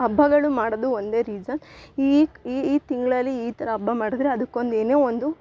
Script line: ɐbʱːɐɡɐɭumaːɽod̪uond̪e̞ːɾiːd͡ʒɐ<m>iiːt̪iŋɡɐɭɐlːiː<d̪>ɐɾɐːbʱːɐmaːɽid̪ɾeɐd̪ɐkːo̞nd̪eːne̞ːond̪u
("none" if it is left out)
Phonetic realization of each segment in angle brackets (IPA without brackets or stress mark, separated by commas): n, t̪